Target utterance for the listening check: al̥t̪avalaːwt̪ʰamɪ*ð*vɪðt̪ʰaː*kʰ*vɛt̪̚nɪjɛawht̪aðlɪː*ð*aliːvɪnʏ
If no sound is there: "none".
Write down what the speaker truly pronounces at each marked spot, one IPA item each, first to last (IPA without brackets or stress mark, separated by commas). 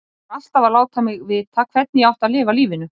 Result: ɣ, kʰ, v